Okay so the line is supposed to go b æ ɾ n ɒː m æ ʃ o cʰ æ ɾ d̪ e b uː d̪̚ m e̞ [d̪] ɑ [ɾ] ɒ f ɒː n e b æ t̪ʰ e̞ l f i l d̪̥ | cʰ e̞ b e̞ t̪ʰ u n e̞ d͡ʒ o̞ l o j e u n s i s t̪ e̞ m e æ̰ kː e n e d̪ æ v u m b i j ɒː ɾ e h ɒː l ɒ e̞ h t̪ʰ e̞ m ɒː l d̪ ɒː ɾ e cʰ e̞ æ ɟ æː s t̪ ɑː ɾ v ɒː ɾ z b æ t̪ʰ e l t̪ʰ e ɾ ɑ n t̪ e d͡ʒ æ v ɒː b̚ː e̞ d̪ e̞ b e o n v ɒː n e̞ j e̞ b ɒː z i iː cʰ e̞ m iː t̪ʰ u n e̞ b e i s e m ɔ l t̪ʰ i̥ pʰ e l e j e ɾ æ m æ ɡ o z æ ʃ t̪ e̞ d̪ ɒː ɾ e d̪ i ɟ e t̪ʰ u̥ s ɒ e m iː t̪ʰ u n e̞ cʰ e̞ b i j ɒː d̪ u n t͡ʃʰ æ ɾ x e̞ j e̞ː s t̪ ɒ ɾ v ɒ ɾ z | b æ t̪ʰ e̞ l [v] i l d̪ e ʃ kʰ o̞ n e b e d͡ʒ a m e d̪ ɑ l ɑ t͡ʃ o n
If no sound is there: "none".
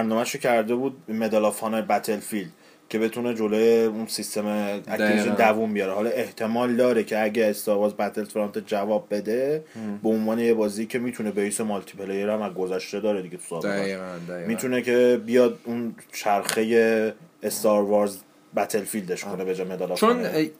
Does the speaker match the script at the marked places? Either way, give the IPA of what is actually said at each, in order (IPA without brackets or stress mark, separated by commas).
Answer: d̪, l, f